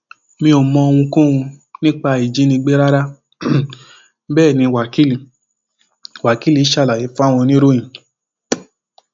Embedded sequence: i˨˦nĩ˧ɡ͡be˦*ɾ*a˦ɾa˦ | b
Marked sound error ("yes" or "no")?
no